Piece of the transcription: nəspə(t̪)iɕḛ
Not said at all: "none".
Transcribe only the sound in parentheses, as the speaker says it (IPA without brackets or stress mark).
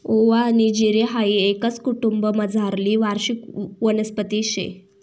t̪